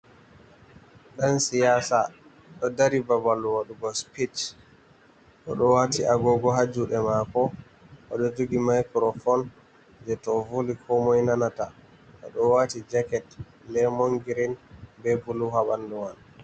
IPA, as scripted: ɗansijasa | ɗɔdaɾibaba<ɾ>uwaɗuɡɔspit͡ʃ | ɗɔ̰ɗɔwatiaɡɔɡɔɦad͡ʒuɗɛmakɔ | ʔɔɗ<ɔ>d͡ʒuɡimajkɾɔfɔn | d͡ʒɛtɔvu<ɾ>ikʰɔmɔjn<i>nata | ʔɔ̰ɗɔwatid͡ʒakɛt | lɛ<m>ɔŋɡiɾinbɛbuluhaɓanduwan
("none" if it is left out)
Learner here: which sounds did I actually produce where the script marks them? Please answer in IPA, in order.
l, ɔ, l, a, m

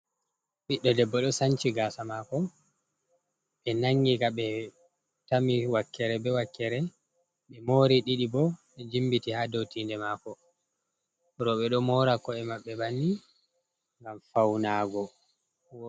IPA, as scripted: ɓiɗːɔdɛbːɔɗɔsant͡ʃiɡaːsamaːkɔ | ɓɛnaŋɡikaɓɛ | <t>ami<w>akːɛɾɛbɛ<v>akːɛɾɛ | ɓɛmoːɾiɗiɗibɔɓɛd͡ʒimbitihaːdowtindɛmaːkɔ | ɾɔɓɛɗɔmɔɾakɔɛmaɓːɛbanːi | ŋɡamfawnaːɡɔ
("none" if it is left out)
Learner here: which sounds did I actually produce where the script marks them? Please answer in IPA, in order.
t, w, w

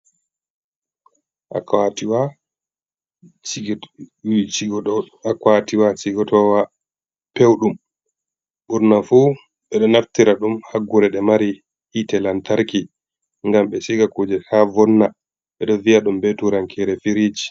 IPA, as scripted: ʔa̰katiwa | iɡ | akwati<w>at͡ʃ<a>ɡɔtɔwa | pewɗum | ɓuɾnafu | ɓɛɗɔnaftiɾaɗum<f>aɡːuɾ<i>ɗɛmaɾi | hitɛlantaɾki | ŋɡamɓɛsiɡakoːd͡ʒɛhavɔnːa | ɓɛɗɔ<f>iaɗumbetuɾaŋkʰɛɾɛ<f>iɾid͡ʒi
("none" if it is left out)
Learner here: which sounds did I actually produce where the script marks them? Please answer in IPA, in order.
w, i, h, ɛ, v, f

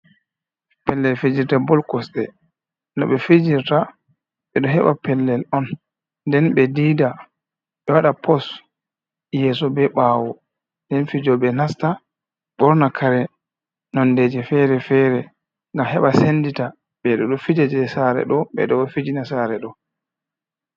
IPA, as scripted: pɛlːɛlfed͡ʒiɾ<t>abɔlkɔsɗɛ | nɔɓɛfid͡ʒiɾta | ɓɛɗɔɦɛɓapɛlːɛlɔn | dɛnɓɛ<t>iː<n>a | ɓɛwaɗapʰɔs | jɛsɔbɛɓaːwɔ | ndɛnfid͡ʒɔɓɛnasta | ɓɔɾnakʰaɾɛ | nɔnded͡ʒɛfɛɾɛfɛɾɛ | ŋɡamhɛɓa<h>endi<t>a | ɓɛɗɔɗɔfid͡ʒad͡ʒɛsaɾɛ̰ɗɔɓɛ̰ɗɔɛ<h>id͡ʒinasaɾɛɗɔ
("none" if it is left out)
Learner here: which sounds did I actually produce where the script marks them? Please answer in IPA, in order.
t, d, d, s, t, f

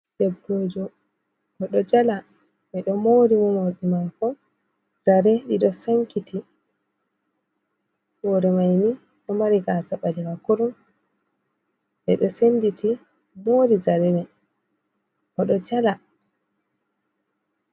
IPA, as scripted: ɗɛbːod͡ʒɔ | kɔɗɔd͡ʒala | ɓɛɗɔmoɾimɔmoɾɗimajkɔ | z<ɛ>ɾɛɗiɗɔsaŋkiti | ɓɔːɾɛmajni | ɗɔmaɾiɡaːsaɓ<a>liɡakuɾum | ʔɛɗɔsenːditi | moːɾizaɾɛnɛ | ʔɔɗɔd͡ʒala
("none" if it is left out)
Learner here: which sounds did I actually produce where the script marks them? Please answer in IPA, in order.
a, a

